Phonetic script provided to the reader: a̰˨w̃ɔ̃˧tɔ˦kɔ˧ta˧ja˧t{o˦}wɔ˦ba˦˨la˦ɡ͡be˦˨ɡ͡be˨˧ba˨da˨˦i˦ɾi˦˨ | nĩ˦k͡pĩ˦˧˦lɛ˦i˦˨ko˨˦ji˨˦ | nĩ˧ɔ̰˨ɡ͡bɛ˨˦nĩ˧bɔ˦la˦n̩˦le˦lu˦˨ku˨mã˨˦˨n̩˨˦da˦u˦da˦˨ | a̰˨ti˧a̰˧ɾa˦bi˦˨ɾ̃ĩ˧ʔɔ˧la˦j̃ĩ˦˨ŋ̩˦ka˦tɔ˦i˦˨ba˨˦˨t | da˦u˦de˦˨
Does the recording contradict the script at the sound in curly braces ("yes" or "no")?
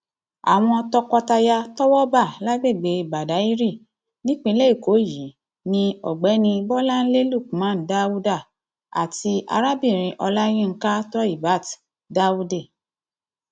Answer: yes